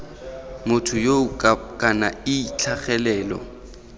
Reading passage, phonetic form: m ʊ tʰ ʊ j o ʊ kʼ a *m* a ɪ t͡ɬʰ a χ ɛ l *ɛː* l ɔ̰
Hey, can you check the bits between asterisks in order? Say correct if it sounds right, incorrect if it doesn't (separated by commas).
incorrect, correct